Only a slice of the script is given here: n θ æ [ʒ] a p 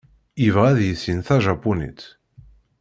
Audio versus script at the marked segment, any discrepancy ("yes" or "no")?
no